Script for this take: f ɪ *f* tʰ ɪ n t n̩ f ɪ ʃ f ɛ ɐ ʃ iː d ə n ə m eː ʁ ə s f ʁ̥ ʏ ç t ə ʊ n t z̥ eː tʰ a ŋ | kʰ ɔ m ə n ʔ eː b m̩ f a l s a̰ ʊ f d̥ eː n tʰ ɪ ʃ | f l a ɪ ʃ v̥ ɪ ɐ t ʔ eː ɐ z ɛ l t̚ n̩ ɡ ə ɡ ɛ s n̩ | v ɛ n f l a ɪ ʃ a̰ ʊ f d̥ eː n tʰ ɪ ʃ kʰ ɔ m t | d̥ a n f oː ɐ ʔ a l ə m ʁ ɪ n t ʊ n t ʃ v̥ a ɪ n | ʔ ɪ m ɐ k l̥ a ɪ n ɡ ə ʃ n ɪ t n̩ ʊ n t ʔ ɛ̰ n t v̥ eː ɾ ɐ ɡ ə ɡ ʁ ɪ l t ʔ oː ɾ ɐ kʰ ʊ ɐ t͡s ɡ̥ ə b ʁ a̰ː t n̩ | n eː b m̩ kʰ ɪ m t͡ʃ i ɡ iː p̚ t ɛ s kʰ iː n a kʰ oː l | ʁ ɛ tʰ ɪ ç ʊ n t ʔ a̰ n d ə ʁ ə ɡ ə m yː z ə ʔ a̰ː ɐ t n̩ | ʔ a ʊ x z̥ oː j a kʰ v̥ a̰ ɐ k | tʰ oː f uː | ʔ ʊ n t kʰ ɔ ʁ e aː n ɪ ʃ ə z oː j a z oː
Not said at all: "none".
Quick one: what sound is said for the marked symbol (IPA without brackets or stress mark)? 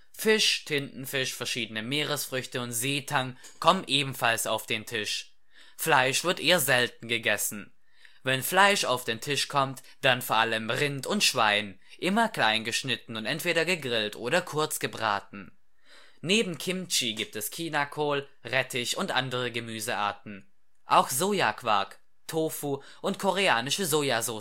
ʃ